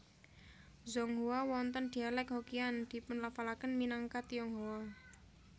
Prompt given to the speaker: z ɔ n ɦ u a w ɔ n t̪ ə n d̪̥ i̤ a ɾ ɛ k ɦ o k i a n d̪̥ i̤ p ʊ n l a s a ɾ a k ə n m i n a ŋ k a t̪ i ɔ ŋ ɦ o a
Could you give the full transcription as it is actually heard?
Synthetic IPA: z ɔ ŋ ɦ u a w ɔ n t̪ ə n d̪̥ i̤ a l ɛ k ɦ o k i a n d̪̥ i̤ p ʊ n l a f a l a k ə n m i n a ŋ k a t̪ i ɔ ŋ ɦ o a